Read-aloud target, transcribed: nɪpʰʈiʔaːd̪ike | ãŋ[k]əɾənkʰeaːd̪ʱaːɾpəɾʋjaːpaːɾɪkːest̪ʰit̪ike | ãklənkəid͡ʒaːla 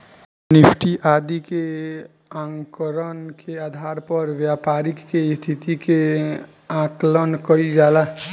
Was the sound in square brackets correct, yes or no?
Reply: yes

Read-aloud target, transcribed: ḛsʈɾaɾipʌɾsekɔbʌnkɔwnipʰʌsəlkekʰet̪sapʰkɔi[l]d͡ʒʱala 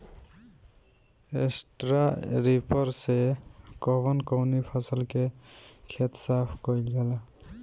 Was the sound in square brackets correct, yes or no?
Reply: yes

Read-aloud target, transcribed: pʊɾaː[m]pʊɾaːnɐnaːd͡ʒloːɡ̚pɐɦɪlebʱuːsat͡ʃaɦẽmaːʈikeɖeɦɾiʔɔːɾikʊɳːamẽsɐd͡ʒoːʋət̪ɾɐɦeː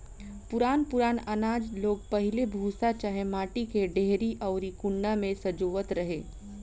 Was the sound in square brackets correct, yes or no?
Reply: no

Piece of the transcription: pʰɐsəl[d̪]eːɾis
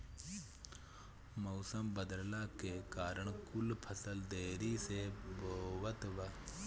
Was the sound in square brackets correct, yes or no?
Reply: yes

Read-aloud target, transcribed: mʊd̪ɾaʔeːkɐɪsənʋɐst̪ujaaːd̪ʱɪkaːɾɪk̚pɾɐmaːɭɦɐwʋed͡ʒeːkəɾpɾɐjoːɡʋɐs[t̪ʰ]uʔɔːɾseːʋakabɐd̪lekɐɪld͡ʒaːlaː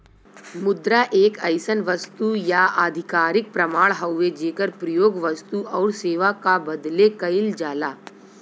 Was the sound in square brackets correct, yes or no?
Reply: no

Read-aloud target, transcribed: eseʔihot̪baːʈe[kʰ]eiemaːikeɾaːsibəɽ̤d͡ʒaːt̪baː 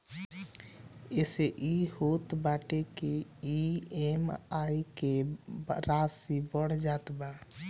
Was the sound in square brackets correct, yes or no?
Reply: no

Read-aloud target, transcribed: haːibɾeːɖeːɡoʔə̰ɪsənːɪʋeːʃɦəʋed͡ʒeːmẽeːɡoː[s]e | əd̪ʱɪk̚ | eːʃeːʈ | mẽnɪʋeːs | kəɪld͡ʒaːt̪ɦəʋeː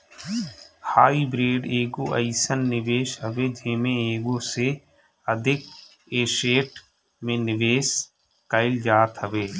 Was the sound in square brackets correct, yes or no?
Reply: yes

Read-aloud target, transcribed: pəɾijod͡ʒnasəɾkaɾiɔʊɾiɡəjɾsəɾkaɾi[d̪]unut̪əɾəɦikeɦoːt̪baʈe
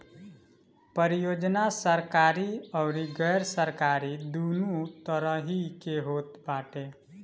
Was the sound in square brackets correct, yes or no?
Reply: yes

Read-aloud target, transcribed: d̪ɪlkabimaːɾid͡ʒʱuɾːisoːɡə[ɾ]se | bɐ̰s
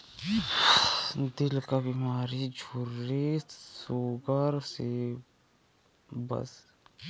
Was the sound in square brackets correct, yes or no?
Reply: yes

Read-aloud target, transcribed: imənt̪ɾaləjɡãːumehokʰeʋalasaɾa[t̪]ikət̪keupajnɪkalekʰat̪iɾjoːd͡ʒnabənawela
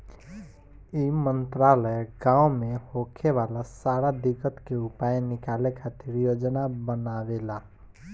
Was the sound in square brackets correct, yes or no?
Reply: no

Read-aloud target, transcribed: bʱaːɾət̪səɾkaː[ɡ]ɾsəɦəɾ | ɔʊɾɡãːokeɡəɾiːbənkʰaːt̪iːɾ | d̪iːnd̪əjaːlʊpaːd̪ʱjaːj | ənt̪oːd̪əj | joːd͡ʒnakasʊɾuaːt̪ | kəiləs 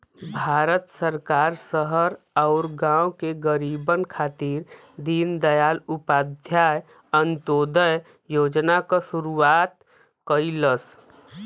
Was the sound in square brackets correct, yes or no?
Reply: no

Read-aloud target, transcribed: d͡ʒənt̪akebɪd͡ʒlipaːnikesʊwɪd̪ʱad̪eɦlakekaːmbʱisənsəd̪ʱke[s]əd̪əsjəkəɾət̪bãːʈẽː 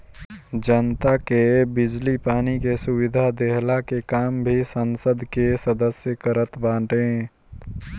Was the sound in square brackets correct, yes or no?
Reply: yes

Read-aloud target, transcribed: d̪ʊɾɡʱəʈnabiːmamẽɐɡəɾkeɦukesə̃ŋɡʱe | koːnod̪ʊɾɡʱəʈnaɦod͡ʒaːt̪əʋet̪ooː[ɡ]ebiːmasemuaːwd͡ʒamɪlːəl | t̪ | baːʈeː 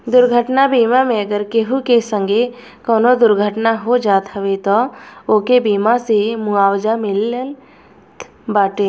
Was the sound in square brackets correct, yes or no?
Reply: no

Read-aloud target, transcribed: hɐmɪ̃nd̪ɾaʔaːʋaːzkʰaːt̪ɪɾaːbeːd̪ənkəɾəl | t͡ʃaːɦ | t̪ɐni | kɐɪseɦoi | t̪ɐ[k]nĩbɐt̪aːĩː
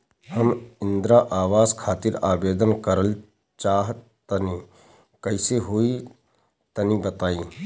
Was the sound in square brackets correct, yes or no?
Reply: no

